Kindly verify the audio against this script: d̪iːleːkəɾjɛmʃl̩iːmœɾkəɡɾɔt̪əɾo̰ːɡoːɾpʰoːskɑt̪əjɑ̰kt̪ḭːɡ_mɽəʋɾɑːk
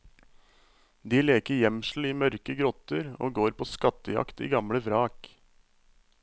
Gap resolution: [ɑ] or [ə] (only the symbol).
ɑ